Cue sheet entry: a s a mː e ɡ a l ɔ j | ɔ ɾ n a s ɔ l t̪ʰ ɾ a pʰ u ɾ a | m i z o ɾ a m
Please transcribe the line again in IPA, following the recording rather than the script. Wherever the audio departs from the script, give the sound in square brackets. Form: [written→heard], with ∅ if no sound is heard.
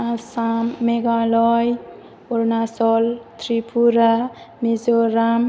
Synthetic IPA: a s a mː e ɡ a l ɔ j | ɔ ɾ n a s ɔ l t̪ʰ ɾ [a→i] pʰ u ɾ a | m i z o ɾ a m